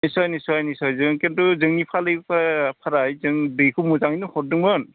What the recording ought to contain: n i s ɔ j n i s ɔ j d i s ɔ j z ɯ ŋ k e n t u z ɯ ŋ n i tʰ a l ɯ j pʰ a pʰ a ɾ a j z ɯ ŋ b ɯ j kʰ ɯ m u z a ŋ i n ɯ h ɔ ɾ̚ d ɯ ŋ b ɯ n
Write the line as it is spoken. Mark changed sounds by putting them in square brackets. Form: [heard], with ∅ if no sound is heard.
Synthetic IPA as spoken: n i s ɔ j n i s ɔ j [n] i s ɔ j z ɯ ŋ k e n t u z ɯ ŋ n i [pʰ] a l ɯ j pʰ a pʰ a ɾ a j z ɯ ŋ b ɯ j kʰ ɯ m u z a ŋ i n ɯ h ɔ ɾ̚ d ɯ ŋ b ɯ n